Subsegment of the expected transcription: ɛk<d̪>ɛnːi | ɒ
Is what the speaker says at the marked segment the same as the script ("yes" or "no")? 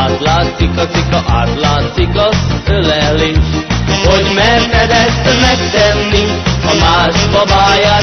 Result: no